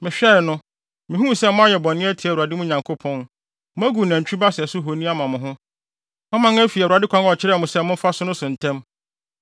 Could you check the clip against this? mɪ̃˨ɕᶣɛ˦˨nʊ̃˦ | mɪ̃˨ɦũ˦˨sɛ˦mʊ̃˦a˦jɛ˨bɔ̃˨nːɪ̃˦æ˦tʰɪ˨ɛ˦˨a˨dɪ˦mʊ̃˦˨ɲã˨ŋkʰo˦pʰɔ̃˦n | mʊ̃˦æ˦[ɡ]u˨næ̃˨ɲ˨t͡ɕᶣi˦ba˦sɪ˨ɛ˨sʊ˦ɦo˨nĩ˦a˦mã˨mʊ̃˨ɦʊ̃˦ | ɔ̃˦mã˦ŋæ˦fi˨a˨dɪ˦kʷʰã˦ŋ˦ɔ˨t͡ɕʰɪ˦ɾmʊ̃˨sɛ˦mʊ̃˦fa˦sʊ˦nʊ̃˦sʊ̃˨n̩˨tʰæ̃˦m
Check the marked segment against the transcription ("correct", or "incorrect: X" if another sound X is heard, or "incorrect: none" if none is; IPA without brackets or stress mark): correct